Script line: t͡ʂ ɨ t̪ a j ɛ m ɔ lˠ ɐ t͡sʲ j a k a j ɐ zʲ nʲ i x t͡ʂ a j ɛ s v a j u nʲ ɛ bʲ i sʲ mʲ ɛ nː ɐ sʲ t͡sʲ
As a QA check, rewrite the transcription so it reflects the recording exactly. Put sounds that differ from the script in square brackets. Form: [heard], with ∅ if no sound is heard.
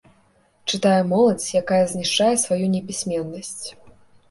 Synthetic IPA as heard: t͡ʂ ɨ t̪ a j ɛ m ɔ lˠ ɐ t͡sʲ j a k a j ɐ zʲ nʲ i [ʂ] t͡ʂ a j ɛ s v a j u nʲ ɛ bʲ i sʲ mʲ ɛ nː ɐ sʲ t͡sʲ